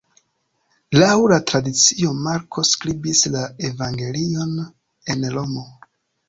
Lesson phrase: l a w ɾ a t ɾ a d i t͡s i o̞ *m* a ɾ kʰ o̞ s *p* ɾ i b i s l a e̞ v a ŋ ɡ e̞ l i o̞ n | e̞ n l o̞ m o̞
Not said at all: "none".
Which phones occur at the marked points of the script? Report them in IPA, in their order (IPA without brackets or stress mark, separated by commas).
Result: m, k